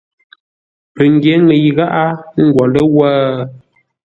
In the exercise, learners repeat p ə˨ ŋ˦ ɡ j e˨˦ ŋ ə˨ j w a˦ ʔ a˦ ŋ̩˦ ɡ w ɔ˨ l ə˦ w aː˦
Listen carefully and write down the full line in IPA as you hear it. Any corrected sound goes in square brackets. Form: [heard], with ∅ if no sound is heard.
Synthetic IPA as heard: p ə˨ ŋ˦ ɡ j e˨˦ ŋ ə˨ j [ɣ] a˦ ʔ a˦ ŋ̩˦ ɡ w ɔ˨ l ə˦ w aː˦